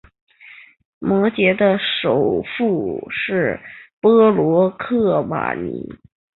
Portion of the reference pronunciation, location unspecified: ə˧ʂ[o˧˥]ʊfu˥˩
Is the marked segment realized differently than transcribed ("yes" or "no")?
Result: yes